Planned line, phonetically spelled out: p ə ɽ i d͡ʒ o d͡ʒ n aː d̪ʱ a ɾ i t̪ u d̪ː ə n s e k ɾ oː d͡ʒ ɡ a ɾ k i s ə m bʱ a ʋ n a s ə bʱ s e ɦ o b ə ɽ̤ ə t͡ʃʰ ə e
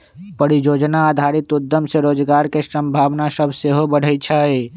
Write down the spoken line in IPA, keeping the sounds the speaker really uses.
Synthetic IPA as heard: p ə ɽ i d͡ʒ o d͡ʒ n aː d̪ʱ a ɾ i t̪ u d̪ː ə m s e ɾ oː d͡ʒ ɡ a ɾ k e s ə m bʱ a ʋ n a s ə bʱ s e ɦ o b ə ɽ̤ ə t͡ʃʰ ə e